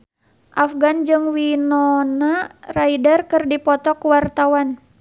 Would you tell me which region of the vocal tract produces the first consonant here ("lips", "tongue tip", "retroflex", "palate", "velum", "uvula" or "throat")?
throat